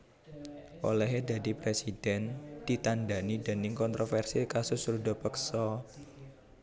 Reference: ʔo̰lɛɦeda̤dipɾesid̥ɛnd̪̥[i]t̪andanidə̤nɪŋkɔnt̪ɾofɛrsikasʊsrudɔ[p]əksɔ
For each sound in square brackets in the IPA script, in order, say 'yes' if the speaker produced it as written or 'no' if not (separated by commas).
yes, yes